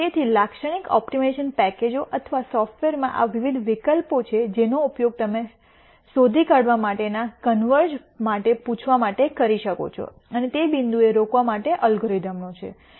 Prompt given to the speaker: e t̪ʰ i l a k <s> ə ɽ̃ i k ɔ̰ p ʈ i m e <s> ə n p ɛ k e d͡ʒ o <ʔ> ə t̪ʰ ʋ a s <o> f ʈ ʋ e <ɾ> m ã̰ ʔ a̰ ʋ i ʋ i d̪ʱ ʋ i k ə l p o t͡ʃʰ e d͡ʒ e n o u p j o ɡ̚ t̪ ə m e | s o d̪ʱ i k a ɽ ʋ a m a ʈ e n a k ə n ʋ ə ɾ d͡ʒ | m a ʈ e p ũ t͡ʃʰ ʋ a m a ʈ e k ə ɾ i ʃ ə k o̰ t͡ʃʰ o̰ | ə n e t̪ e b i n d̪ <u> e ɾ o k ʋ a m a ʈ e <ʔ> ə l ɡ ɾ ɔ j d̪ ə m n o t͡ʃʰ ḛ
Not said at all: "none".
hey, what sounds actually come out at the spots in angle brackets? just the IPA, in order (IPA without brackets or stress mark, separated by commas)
ʃ, ʃ, ʔ, ɔ, ɾ, u, ʔ